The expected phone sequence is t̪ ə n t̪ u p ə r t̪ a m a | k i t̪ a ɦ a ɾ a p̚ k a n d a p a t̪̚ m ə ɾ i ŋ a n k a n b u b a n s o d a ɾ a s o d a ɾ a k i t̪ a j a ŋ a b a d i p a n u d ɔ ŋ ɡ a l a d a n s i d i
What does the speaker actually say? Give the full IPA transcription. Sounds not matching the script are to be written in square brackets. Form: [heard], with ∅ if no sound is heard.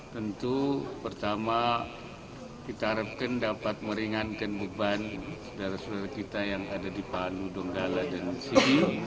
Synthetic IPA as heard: t̪ ə n t̪ u p ə r t̪ a m a | k i t̪ a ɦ a ɾ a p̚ k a n d a p a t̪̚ m ə ɾ i ŋ a n k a n b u b a n s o d a ɾ a s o d a ɾ a k i t̪ a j a ŋ a [d] a d i p a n u d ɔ ŋ ɡ a l a d a n s i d i